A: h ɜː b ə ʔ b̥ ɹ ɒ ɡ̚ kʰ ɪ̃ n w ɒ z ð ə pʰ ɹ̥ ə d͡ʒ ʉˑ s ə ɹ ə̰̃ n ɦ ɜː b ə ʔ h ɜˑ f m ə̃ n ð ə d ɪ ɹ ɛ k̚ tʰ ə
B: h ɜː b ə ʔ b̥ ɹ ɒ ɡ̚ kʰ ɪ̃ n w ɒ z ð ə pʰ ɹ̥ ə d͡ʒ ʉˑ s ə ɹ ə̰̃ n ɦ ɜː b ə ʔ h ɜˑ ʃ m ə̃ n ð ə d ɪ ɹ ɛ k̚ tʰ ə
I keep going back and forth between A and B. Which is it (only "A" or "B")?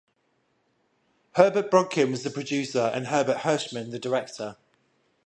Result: B